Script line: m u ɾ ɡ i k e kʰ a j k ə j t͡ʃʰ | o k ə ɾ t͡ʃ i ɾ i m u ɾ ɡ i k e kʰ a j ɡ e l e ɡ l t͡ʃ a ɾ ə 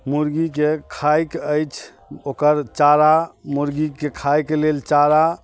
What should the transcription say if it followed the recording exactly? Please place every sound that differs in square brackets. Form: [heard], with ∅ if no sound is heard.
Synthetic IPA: m u ɾ ɡ i k e kʰ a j k ə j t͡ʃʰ | o k ə ɾ t͡ʃ [a] ɾ [a] m u ɾ ɡ i k e kʰ a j [k] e l e [∅] l t͡ʃ a ɾ [a]